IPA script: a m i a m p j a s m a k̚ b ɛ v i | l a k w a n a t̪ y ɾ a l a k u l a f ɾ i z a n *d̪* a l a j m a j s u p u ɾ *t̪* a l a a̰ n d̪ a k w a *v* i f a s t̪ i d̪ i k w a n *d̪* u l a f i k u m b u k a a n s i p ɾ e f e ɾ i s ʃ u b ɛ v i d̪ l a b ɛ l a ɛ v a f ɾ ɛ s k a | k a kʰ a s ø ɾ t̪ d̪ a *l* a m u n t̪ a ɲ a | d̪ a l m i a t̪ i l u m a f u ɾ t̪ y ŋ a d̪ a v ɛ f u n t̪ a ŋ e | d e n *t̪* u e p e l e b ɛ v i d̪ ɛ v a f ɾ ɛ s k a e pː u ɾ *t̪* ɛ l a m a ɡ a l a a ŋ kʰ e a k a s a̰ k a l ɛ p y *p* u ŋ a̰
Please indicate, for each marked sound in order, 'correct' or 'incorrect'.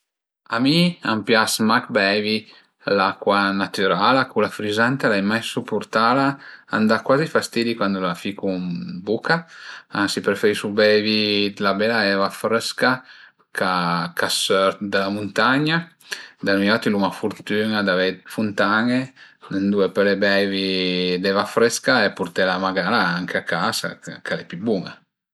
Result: incorrect: t̪, correct, incorrect: z, correct, correct, incorrect: d̪, correct, incorrect: b

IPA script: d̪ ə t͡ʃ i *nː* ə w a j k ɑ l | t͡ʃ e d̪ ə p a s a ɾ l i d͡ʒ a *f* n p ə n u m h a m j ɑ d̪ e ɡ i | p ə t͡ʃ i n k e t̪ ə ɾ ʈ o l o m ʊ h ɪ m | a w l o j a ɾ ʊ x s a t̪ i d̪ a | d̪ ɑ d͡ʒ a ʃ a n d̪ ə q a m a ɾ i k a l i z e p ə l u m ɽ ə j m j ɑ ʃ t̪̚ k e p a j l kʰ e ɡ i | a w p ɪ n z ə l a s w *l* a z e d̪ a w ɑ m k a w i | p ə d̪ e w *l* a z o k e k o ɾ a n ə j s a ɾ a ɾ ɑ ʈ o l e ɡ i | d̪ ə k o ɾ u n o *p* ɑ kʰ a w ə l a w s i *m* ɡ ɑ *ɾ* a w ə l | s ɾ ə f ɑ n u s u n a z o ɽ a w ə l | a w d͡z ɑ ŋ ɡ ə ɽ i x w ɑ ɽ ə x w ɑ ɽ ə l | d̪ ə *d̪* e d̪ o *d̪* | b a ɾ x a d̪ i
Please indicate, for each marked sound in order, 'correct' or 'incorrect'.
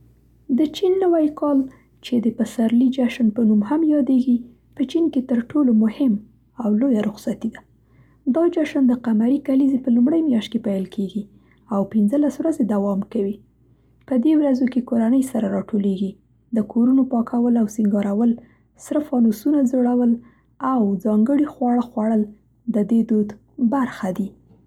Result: correct, incorrect: ʃ, incorrect: ɾ, incorrect: ɾ, correct, incorrect: ŋ, correct, correct, correct

